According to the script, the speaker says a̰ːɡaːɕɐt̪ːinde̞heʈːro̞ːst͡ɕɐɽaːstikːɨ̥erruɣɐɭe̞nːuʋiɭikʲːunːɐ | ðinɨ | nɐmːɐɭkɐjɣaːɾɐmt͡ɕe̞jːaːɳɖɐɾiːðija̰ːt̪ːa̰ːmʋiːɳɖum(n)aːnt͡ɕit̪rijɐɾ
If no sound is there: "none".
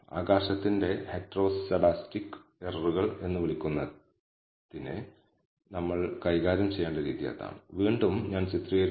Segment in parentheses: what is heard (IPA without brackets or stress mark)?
ɲ